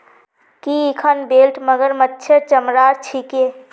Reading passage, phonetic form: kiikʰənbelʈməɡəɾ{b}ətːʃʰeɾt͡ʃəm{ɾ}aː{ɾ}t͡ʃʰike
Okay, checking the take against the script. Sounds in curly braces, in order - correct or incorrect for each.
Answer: incorrect: m, correct, correct

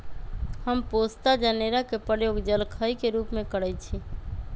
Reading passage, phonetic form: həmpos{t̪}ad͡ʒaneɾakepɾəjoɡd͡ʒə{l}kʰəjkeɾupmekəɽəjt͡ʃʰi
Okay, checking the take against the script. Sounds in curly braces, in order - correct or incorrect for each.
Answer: correct, correct

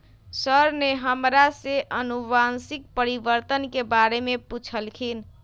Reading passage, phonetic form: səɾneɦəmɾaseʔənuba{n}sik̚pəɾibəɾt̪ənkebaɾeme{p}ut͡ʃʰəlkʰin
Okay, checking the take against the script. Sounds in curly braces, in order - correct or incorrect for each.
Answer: correct, correct

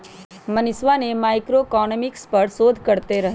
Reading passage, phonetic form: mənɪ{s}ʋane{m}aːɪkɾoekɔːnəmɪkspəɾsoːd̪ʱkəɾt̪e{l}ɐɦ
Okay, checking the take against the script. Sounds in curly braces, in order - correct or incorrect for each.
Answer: correct, correct, incorrect: ɾ

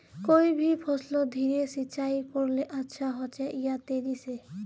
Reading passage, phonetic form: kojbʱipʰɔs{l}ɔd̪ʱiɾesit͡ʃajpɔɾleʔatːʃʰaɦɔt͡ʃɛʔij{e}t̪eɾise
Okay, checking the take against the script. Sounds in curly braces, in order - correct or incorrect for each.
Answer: correct, incorrect: a

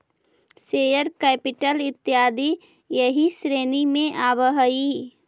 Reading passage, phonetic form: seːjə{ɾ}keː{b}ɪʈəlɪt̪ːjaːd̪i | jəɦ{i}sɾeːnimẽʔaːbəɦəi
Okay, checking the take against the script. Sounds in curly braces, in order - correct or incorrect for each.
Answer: correct, incorrect: p, correct

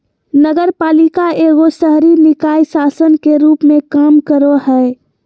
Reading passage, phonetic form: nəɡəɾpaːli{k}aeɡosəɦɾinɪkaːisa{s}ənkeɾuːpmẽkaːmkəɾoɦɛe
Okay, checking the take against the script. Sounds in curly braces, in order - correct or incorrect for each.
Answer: correct, correct

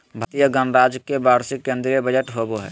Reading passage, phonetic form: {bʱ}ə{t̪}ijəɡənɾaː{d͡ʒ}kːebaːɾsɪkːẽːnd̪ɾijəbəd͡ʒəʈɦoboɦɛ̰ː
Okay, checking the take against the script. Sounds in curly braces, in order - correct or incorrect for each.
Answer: correct, correct, correct

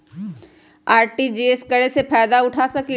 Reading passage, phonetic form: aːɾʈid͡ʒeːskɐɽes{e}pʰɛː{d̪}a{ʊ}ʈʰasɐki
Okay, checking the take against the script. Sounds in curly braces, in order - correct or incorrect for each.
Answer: correct, correct, correct

